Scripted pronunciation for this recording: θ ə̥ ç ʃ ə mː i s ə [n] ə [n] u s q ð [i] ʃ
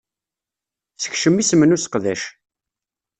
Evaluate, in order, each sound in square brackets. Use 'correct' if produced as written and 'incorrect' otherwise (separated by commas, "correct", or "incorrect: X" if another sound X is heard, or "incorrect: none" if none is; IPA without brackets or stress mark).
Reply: incorrect: m, correct, incorrect: æ